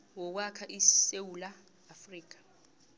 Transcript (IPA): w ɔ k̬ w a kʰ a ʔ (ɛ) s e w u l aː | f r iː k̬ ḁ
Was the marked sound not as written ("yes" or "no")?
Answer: yes